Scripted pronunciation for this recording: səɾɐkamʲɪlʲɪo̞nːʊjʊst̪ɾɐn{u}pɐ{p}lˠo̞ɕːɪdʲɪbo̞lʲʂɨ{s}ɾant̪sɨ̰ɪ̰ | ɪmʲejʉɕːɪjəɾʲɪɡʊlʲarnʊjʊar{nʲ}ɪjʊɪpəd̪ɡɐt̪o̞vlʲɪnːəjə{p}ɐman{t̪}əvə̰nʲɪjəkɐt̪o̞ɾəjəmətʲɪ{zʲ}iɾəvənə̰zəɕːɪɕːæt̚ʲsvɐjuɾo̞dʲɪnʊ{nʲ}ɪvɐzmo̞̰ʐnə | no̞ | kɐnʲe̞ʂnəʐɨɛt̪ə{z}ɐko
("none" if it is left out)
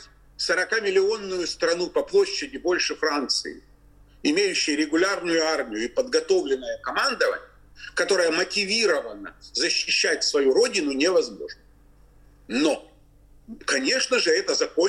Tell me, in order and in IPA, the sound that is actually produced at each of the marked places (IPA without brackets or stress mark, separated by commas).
u, p, f, mʲ, k, d̪, vʲ, nʲ, z